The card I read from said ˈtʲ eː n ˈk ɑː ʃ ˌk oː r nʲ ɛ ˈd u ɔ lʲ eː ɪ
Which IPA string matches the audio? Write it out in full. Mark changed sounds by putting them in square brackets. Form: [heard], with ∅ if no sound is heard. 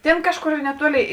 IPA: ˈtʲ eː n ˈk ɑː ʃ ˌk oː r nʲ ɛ [ˈt] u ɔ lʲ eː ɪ

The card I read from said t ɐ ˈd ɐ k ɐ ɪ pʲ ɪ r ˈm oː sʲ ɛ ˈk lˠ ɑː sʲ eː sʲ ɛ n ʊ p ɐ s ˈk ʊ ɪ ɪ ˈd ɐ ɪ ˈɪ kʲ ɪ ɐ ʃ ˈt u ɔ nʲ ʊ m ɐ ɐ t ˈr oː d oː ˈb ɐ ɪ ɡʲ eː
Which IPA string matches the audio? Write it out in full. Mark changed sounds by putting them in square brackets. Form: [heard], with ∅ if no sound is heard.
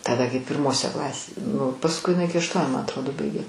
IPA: t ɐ ˈd ɐ k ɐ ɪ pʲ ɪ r ˈm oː sʲ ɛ ˈk lˠ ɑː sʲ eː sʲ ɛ n ʊ p ɐ s ˈk ʊ ɪ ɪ [ˈn] ɐ ɪ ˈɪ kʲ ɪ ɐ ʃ ˈt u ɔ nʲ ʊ m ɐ ɐ t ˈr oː d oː ˈb ɐ ɪ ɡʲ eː

